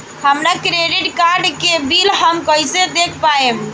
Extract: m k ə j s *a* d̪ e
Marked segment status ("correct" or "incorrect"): incorrect